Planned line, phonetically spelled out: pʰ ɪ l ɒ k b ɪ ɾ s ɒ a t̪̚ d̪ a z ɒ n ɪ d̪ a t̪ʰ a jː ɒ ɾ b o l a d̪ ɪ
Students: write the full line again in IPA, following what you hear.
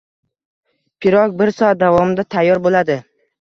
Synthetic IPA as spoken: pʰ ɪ ɾ ɒ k b ɪ ɾ s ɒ a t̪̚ d̪ a v ɒ m ɪ d̪ a t̪ʰ a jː ɒ ɾ b o l a d̪ ɪ